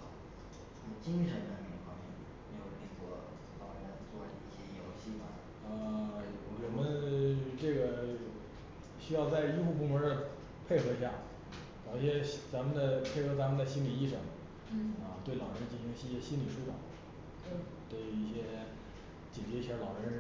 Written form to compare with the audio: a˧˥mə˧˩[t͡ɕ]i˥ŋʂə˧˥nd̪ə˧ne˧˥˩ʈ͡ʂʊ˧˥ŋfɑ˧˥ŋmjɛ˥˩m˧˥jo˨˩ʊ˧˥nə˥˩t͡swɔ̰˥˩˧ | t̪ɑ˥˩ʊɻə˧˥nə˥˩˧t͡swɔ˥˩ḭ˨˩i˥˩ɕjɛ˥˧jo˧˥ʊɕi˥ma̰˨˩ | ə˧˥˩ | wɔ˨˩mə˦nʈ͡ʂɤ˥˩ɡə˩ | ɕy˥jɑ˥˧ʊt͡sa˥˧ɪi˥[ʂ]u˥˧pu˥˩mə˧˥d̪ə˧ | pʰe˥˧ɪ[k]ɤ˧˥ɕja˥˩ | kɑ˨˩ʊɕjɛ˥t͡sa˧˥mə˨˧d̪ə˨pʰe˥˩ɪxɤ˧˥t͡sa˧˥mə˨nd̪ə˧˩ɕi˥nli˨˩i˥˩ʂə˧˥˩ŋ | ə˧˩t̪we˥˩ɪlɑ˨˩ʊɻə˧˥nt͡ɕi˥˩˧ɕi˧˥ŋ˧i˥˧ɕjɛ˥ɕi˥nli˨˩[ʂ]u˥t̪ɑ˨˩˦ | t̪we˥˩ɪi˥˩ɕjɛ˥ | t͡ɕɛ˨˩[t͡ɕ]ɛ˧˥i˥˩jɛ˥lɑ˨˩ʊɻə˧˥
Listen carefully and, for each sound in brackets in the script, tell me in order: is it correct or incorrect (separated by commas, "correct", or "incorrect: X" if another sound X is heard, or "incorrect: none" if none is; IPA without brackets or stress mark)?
correct, incorrect: x, incorrect: x, correct, correct